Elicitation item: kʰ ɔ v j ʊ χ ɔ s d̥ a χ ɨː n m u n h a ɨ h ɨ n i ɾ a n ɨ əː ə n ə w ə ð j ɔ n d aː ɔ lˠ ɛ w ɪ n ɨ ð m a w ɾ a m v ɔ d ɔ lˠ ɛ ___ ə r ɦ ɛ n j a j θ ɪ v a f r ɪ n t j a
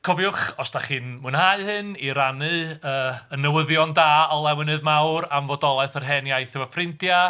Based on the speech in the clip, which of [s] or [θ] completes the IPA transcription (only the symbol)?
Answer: θ